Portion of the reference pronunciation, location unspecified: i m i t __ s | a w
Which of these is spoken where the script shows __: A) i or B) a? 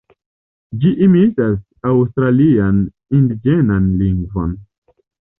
B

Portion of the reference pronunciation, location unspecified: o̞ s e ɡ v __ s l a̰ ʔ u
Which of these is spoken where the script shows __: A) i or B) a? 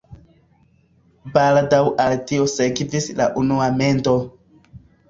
A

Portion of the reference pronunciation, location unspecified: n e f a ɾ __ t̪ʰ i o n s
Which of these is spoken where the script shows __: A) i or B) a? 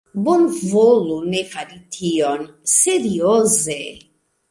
A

